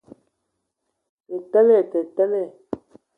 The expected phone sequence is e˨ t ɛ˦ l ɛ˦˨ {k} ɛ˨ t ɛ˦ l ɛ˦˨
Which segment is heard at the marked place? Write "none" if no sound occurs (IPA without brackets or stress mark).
t